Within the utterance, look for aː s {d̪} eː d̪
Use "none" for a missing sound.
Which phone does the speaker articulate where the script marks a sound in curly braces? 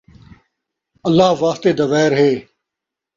t̪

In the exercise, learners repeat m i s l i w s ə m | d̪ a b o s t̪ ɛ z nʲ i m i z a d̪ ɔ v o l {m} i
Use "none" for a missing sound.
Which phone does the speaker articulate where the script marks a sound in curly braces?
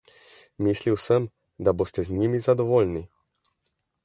n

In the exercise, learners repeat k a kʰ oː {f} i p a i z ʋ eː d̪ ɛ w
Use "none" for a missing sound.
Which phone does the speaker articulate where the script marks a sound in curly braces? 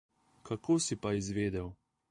s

